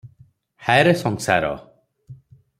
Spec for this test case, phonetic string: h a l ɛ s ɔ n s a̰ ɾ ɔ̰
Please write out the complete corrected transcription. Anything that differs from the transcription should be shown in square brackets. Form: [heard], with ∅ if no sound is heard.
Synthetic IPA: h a [ɾ] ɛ s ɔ [ŋ] s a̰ ɾ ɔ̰